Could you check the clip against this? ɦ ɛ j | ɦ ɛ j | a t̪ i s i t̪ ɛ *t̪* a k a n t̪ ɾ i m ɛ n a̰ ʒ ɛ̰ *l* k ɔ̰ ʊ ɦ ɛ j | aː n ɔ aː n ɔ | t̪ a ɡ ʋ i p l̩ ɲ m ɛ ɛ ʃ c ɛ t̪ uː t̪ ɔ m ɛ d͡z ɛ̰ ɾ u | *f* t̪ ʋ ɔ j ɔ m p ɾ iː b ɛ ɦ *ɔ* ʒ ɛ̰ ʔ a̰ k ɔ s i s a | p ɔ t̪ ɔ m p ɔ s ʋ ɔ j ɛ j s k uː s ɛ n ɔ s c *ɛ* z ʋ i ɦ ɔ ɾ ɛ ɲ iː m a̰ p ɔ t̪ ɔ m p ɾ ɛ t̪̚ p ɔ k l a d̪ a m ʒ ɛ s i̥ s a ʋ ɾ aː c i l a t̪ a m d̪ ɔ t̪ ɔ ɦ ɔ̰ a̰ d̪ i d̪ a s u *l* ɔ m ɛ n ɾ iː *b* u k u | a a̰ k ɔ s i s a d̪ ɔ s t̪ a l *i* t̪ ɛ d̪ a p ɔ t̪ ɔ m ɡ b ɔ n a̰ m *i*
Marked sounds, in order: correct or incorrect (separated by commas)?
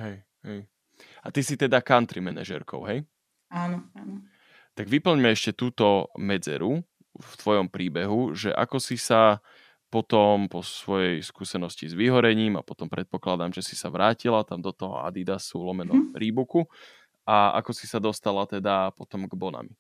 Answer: incorrect, incorrect, correct, incorrect, incorrect, correct, correct, incorrect, correct